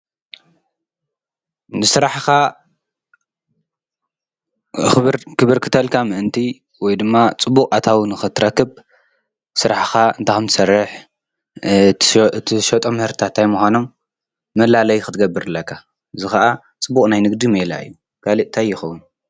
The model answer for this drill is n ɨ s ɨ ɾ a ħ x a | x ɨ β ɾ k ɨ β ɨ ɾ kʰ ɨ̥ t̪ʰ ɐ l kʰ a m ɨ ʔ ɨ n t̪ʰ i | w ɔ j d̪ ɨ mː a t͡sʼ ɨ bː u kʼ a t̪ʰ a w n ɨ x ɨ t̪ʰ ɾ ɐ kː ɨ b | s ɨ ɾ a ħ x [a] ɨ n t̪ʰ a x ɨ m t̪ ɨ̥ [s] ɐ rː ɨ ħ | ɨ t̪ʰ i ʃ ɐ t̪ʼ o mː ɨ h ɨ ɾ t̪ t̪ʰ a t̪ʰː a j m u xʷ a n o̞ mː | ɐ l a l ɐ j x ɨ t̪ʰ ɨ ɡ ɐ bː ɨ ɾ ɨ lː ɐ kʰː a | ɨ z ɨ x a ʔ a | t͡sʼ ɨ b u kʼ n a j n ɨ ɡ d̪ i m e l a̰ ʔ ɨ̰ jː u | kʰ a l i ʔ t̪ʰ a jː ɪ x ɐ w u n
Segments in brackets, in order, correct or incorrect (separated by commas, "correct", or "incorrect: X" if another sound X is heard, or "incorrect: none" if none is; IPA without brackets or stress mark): correct, correct